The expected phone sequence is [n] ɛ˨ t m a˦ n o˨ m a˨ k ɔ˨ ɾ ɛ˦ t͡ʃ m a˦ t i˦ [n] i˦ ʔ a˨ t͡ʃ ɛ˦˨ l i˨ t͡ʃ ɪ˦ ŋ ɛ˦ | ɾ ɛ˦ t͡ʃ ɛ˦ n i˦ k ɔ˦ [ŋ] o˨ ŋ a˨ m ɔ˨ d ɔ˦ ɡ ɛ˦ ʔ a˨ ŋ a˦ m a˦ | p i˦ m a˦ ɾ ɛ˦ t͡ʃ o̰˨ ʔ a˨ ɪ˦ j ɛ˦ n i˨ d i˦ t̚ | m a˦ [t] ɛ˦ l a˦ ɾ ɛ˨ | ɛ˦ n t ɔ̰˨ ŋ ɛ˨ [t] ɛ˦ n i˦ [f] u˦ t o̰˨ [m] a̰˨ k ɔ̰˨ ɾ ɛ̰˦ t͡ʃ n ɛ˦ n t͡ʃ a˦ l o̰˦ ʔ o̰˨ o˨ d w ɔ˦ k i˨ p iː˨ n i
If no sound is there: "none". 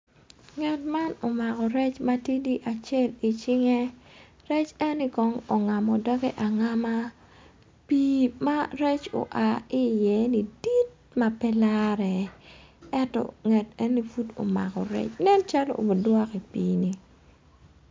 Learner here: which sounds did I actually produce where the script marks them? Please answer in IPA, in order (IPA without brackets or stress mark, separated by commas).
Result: ŋ, d, ŋ, p, t, f, m